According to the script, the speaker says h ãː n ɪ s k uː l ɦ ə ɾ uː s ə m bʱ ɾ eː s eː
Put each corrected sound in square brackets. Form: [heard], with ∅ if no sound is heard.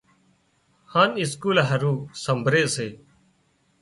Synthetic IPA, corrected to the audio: h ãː n ɪ s k uː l ɦ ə ɾ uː s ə m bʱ ɾ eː s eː